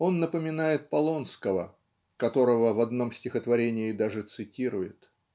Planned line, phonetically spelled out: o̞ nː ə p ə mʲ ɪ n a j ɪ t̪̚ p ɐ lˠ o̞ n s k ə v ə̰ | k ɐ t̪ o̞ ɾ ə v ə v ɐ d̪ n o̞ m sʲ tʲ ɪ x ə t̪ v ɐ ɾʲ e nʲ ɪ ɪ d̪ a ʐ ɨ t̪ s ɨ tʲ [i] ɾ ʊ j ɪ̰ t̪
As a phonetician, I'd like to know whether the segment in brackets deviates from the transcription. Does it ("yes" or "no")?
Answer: no